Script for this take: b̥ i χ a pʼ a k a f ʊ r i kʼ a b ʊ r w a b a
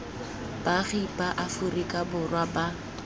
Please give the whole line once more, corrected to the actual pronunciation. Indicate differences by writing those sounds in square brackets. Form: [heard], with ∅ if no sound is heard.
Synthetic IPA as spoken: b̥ [a] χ [i] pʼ a [ʔ] a f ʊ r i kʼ a b ʊ r w a b a